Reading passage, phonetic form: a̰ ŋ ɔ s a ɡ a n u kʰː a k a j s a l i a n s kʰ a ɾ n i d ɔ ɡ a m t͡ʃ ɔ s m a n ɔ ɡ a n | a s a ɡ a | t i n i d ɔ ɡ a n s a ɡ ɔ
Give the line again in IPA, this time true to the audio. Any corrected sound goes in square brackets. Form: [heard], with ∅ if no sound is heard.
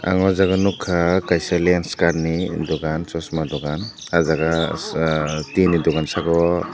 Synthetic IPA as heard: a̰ ŋ ɔ [z] a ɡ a n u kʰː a k a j s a l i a n s [k] a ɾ n i d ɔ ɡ a [n] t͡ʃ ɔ s m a [d] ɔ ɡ a n | a [z] a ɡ a | t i n i d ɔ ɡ a n s a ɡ ɔ

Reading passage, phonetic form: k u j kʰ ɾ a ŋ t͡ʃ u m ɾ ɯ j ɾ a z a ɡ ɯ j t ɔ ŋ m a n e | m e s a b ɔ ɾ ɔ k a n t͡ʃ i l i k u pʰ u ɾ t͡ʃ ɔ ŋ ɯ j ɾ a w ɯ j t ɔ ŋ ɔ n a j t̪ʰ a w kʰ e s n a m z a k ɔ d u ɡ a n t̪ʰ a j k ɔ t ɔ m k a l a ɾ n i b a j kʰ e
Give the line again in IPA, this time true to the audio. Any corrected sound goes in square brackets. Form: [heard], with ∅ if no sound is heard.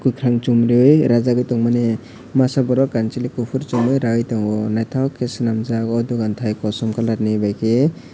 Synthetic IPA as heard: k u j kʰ ɾ a ŋ t͡ʃ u m ɾ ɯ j ɾ a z a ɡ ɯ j t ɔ ŋ m a n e | m [a] s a b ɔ ɾ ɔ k a n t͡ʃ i l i k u pʰ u ɾ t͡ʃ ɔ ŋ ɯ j ɾ a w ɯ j t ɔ ŋ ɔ n a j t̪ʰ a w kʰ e s n a m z a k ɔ d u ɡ a n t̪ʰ a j k ɔ [s] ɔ m k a l a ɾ n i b a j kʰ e

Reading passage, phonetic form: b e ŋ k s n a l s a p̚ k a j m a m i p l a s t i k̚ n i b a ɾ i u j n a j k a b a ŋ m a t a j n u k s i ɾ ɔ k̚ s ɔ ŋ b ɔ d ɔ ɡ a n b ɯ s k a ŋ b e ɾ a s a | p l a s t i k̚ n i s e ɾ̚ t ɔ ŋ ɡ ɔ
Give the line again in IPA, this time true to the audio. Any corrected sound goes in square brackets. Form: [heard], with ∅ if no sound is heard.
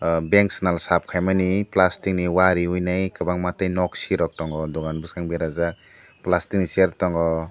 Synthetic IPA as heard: b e ŋ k s n a l s a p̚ [kʰ] a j m a [n] i p l a s t i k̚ n i [w] a ɾ i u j n a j k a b a ŋ m a t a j n [ɔ] k s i ɾ ɔ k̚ [t] ɔ ŋ [ɡ] ɔ d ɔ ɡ a n b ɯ s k a ŋ b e ɾ a [z] a | p l a s t i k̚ n i s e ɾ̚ t ɔ ŋ ɡ ɔ

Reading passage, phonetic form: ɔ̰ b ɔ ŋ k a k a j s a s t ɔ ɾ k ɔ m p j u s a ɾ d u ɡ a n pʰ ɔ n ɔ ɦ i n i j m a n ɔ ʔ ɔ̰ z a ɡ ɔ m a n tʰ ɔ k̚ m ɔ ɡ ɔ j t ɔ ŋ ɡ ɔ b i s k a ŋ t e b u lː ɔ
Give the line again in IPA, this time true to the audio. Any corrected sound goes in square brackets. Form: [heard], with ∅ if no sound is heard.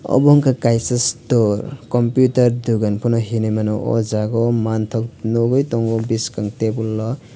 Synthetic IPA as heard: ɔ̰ b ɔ ŋ k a k a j s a s t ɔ ɾ k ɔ m p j u [t] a ɾ d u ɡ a n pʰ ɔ n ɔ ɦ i n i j m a n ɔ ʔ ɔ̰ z a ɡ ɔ m a n tʰ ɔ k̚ [n] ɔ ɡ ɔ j t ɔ ŋ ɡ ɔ b i s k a ŋ t e b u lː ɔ

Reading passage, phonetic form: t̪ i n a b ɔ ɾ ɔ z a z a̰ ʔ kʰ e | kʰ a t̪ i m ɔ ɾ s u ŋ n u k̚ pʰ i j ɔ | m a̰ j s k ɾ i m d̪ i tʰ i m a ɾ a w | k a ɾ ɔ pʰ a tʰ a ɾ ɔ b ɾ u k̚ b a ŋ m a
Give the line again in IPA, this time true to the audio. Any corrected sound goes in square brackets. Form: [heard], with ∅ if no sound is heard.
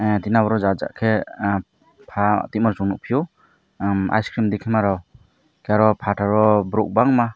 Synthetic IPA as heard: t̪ i n a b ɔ ɾ ɔ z a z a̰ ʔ kʰ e | [pʰ] a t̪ i m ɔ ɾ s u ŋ n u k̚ pʰ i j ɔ | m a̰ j s k ɾ i m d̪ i [kʰ] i m a ɾ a w | k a ɾ ɔ pʰ a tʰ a ɾ ɔ b ɾ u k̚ b a ŋ m a

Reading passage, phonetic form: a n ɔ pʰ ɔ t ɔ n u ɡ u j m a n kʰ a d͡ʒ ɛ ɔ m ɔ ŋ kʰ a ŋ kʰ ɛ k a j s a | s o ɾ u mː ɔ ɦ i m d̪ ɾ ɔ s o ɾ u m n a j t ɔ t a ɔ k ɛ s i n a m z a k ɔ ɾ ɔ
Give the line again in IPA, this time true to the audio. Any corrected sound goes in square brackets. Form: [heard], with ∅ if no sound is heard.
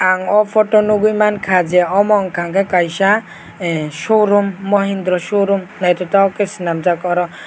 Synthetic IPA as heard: a [ŋ] ɔ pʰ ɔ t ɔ n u ɡ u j m a n kʰ a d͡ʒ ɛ ɔ m ɔ ŋ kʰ a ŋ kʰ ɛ k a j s a | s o ɾ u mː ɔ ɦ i [n] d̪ ɾ ɔ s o ɾ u m n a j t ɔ t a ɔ k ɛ s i n a m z a k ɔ ɾ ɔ

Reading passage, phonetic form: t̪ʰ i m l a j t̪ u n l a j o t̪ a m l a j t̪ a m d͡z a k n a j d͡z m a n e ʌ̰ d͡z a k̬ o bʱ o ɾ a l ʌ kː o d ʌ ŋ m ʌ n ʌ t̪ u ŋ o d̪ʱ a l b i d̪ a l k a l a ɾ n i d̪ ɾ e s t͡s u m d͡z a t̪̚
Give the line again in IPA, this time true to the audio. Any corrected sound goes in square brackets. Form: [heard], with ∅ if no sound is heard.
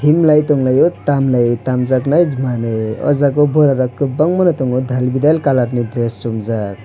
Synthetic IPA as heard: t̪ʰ i m l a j t̪ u [ŋ] l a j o t̪ a m l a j t̪ a m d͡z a k n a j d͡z m a n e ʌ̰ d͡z a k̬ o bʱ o ɾ a [ɾ] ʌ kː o [b] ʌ ŋ m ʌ n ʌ t̪ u ŋ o d̪ʱ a l b i d̪ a l k a l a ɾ n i d̪ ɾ e s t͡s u m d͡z a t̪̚

